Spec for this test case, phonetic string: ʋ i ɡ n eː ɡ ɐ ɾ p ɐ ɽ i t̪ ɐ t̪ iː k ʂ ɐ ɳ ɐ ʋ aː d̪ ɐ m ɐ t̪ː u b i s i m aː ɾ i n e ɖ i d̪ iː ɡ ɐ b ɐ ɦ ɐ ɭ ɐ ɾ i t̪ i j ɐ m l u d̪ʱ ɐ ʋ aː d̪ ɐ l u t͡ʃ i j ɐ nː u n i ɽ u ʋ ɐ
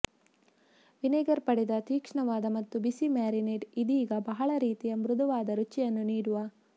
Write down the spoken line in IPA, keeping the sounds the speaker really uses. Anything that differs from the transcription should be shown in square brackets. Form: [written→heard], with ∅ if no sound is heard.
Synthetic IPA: ʋ i [ɡ→∅] n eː ɡ ɐ ɾ p ɐ ɽ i [t̪→d̪] ɐ t̪ iː k ʂ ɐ ɳ ɐ ʋ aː d̪ ɐ m ɐ t̪ː u b i s i m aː ɾ i n e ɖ i d̪ iː ɡ ɐ b ɐ ɦ ɐ ɭ ɐ ɾ [i→iː] t̪ i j ɐ m [l→ɾ] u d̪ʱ ɐ ʋ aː d̪ ɐ [l→ɾ] u t͡ʃ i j ɐ nː u n [i→iː] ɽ u ʋ ɐ

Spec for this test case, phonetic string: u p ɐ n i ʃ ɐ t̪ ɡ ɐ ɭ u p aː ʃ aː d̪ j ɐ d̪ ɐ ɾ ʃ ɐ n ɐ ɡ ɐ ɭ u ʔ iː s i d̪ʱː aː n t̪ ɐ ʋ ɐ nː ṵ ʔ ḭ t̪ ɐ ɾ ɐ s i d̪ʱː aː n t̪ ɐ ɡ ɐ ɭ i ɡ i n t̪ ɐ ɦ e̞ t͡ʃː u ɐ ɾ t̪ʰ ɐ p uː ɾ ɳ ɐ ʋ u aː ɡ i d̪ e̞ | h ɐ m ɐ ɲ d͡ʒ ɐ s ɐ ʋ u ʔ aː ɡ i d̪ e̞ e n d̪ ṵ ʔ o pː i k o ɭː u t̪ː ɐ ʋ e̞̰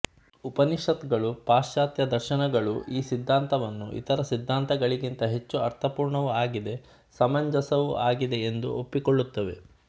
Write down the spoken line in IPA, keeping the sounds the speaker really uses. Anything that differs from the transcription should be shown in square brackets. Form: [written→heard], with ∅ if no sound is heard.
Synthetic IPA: u p ɐ n i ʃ ɐ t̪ ɡ ɐ ɭ u p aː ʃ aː [d̪→t̪] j ɐ d̪ ɐ ɾ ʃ ɐ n ɐ ɡ ɐ ɭ u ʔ iː s i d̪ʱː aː n t̪ ɐ ʋ ɐ nː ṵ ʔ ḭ t̪ ɐ ɾ ɐ s i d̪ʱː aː n t̪ ɐ ɡ ɐ ɭ i ɡ i n t̪ ɐ ɦ e̞ t͡ʃː u ɐ ɾ t̪ʰ ɐ p uː ɾ ɳ ɐ ʋ u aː ɡ i d̪ e̞ | [h→s] ɐ m ɐ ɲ d͡ʒ ɐ s ɐ ʋ u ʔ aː ɡ i d̪ e̞ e n d̪ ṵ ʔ o pː i k o ɭː u t̪ː ɐ ʋ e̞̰

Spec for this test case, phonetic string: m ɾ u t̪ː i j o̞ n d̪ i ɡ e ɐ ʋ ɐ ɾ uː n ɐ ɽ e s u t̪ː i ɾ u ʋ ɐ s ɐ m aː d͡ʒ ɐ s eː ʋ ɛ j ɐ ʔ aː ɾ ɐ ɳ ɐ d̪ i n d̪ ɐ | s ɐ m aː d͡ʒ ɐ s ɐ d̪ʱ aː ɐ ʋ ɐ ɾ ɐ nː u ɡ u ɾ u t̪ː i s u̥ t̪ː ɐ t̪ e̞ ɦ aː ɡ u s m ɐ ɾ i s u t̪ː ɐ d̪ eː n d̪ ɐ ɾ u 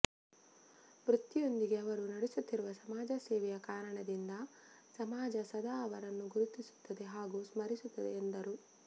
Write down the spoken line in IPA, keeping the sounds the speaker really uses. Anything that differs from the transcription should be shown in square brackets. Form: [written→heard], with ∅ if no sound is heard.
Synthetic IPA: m ɾ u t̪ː i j o̞ n d̪ i ɡ e ɐ ʋ ɐ ɾ [uː→u] n ɐ ɽ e s u t̪ː i ɾ u ʋ ɐ s ɐ m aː d͡ʒ ɐ s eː ʋ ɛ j ɐ [ʔ→k] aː ɾ ɐ ɳ ɐ d̪ i n d̪ ɐ | s ɐ m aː d͡ʒ ɐ s ɐ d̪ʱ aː ɐ ʋ ɐ ɾ ɐ nː u ɡ u ɾ u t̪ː i s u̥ t̪ː ɐ [t̪→d̪] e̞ ɦ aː ɡ u s m ɐ ɾ i s u t̪ː ɐ d̪ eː n d̪ ɐ ɾ u

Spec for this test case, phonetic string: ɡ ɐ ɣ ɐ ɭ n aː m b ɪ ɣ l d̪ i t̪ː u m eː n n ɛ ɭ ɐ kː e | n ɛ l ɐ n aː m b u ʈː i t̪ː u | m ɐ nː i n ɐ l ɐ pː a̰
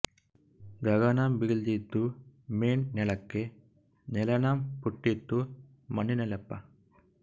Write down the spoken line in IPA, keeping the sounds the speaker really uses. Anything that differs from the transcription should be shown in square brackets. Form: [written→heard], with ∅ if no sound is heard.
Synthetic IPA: ɡ ɐ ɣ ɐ [ɭ→∅] n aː m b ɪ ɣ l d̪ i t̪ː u m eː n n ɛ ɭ ɐ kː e | n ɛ l ɐ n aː m [b→p] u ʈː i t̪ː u | m ɐ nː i n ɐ l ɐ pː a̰

